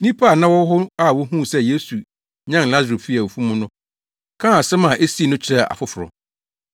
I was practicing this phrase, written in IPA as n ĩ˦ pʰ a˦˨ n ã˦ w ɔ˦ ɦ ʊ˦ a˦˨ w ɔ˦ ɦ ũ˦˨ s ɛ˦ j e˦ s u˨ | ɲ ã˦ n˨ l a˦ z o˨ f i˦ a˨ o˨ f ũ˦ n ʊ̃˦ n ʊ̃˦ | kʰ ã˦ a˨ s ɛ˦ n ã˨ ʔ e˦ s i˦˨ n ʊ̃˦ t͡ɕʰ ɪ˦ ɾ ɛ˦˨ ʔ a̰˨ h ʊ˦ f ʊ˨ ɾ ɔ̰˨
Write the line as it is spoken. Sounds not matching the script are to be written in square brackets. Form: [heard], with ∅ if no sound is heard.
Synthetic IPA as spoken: n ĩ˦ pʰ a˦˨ n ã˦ w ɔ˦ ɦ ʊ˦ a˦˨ w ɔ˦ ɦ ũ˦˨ s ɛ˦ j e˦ s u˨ | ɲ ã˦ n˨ l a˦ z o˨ f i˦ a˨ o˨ f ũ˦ [m] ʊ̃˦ n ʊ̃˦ | kʰ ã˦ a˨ s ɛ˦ [m] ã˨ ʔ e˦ s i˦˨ n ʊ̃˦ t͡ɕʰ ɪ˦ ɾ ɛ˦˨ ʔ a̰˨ [f] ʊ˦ f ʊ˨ ɾ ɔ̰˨